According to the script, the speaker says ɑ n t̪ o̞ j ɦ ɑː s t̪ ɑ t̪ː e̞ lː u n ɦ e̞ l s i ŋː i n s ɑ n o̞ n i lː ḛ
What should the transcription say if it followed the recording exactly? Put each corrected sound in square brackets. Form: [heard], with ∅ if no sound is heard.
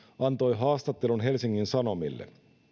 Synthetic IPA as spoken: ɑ n t̪ o̞ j ɦ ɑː s t̪ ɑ t̪ː e̞ [l] u n ɦ e̞ l s i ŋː i n s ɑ n o̞ [m] i lː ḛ